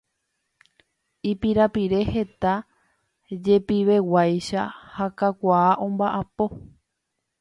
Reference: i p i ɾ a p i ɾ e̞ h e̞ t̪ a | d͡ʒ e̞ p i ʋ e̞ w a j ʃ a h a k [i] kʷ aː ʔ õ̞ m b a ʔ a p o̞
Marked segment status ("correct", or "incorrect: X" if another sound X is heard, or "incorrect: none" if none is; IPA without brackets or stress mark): incorrect: a